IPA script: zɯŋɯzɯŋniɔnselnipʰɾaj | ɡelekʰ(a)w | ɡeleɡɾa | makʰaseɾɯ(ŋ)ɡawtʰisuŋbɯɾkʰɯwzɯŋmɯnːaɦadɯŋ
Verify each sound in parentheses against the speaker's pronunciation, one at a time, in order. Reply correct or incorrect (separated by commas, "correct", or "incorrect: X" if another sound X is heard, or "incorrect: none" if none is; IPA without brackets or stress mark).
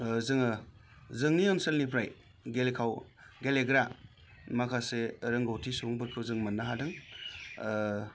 correct, correct